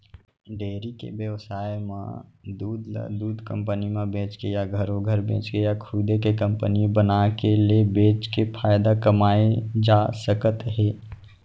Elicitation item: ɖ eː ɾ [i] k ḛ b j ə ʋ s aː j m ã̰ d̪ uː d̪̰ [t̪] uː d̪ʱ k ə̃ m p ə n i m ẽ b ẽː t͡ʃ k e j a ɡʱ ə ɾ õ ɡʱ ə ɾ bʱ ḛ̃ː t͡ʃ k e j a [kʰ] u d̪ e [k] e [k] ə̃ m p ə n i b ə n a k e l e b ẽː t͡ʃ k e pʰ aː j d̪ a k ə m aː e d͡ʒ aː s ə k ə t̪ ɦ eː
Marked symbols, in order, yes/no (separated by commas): yes, no, yes, yes, yes